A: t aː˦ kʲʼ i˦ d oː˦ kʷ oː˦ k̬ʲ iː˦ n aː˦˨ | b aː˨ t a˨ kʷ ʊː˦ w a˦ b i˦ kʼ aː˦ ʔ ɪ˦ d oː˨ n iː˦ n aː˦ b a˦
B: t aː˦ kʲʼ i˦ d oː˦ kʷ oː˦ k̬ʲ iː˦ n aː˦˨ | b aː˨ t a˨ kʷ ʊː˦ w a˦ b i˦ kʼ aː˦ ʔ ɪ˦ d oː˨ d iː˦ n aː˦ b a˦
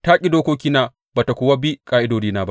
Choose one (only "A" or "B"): B